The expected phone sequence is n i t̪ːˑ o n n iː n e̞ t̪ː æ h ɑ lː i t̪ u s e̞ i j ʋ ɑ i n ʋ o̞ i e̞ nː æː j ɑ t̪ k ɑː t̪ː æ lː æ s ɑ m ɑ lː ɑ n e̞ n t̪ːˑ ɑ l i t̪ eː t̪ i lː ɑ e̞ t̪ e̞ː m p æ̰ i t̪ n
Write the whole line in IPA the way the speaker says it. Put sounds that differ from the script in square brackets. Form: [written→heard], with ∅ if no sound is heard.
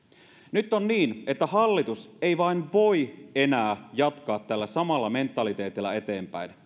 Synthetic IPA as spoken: n [i→y] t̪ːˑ o n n iː n e̞ t̪ː æ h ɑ lː i t̪ u s e̞ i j ʋ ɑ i n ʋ o̞ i e̞ [nː→n] æː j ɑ t̪ k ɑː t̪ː æ lː æ s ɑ m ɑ lː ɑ [n→m] e̞ n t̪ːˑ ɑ l i t̪ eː t̪ i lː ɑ e̞ t̪ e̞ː m p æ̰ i [t̪→∅] n